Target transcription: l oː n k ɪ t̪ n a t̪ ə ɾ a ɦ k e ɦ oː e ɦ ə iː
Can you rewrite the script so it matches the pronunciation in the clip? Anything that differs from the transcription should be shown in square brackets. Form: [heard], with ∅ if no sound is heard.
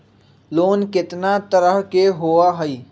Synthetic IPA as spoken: l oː n k ɪ t̪ n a t̪ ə ɾ [ə] ɦ k e ɦ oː [a] ɦ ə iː